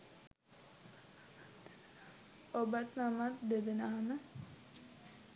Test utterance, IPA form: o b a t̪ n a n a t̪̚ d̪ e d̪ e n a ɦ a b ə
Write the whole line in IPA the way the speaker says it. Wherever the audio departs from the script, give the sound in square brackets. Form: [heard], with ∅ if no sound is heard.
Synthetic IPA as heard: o b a t̪ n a [m] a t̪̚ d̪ e d̪ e n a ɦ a [m] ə